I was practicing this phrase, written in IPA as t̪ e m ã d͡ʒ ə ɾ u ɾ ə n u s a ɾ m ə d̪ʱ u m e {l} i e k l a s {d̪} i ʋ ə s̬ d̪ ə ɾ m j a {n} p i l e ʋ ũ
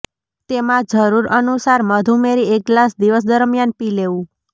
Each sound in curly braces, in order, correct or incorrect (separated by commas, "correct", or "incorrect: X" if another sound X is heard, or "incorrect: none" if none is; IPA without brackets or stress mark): incorrect: ɾ, correct, correct